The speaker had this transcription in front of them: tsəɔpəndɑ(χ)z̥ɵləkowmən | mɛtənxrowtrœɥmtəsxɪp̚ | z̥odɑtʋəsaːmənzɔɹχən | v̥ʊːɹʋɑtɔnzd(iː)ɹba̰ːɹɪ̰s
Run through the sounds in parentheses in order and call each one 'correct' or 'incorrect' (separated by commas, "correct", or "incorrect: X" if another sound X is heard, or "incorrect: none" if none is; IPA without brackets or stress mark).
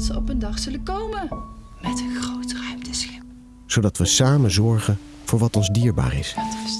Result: correct, correct